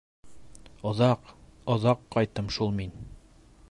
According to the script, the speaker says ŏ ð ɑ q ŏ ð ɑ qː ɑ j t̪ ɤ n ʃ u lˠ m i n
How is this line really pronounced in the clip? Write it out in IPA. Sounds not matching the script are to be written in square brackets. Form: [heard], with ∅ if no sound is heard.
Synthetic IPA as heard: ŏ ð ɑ q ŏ ð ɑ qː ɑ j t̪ ɤ [m] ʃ u lˠ m i n